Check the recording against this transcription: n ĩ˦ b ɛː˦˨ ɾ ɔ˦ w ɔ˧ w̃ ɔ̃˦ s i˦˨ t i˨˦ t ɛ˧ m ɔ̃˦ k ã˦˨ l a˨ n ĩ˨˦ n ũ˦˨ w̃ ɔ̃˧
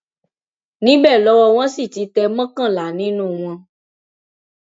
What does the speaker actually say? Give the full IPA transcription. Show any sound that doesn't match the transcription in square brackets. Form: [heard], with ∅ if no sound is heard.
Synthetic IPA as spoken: n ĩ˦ b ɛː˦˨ [l] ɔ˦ w ɔ˧ w̃ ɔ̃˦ s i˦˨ t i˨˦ t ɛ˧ m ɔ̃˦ k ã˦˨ l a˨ n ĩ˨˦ n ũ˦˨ w̃ ɔ̃˧